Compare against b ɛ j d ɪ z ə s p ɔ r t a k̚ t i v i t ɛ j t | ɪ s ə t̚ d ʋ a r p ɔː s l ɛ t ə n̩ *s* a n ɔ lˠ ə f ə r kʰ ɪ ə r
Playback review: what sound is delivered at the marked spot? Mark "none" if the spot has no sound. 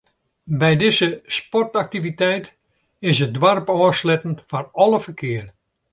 f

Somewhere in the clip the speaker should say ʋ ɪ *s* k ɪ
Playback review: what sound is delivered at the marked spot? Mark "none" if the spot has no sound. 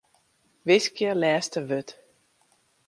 s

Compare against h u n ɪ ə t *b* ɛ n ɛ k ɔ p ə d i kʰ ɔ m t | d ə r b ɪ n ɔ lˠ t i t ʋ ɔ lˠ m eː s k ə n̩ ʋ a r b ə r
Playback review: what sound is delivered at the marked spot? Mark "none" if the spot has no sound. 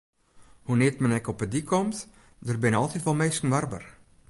m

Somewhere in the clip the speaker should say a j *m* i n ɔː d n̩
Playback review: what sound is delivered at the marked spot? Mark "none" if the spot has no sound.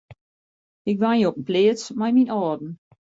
m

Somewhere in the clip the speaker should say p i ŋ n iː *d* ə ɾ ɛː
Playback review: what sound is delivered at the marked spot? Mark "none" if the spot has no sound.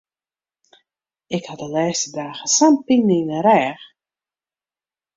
n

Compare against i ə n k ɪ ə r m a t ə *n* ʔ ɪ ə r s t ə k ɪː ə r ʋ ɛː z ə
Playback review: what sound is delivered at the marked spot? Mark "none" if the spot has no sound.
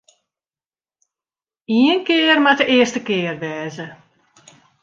none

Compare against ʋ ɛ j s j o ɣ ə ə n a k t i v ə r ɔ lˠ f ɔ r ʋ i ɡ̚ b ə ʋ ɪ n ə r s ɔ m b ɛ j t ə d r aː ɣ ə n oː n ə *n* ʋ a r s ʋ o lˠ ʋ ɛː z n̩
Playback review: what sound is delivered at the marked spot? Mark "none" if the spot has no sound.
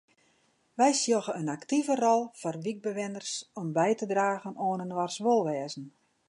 n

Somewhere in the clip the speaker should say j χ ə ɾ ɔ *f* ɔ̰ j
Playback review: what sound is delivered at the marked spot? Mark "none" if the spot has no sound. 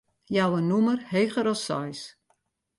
s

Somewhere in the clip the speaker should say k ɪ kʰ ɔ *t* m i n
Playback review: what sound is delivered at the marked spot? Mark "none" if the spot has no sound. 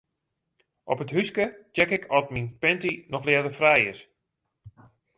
t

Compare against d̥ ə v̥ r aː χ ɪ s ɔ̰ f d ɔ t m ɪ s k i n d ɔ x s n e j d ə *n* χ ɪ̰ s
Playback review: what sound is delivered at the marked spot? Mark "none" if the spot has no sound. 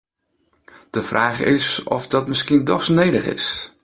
none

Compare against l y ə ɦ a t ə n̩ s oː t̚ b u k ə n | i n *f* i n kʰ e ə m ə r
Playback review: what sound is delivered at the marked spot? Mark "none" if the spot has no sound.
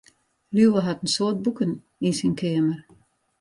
s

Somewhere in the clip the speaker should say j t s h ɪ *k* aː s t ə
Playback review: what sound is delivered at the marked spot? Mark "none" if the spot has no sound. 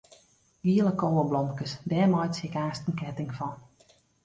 k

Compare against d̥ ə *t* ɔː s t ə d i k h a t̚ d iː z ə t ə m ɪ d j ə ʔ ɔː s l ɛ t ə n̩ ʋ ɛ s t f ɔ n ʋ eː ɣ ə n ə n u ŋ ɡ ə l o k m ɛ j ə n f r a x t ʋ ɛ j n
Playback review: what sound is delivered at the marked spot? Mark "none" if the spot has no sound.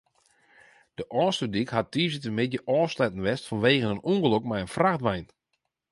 ʔ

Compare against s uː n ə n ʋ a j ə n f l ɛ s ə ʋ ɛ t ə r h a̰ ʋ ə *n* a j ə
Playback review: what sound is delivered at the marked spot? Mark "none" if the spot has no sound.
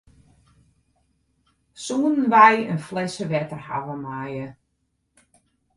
m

